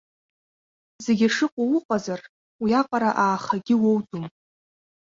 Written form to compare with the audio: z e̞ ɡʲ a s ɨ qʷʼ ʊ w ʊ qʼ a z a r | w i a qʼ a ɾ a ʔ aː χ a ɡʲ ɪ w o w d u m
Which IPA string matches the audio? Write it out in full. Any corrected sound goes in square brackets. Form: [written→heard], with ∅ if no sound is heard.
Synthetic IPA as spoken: z e̞ ɡʲ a [s→ʂ] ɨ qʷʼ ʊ w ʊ qʼ a z a r | w i a qʼ a ɾ a ʔ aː χ a ɡʲ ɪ w o w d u m